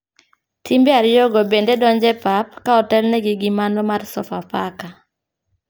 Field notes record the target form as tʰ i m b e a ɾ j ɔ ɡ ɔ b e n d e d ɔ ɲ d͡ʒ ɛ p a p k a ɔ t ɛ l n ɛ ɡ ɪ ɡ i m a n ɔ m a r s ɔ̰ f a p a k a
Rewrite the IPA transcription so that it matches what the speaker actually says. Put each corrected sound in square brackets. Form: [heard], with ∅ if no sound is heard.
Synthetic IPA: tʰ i m b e a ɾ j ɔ ɡ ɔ b e n d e d ɔ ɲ d͡ʒ ɛ p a p k a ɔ t ɛ l n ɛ ɡ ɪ ɡ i m a n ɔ m a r s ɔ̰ f a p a k a